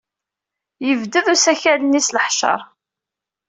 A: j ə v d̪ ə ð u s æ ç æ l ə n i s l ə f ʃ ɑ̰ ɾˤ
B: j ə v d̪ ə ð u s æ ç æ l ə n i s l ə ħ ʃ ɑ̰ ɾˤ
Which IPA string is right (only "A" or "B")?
B